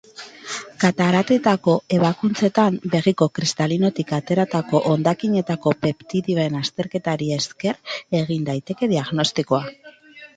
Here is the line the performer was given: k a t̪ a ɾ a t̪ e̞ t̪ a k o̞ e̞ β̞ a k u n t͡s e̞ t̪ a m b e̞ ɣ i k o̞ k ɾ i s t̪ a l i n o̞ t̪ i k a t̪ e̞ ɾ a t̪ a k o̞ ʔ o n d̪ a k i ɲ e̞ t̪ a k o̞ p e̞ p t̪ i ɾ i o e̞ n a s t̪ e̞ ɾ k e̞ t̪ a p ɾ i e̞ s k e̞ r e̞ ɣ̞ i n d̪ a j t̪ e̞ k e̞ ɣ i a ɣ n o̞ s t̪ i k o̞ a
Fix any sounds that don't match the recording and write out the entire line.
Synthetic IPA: k a t̪ a ɾ a t̪ e̞ t̪ a k o̞ e̞ β̞ a k u n t͡s e̞ t̪ a m b e̞ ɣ i k o̞ k ɾ i s t̪ a l i n o̞ t̪ i k a t̪ e̞ ɾ a t̪ a k o̞ ʔ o n d̪ a k i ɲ e̞ t̪ a k o̞ p e̞ p t̪ i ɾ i o e̞ n a s t̪ e̞ ɾ k e̞ t̪ a ɾ i e̞ s k e̞ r e̞ ɣ̞ i n d̪ a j t̪ e̞ k e̞ ð i a ɣ n o̞ s t̪ i k o̞ a